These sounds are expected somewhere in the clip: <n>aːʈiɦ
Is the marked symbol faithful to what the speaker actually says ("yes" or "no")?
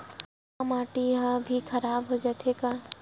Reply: no